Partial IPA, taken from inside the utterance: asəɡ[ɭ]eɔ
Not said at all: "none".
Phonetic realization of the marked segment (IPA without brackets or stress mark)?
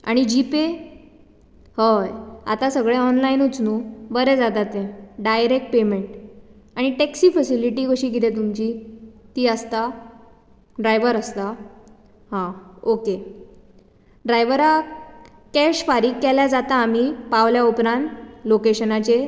ɭ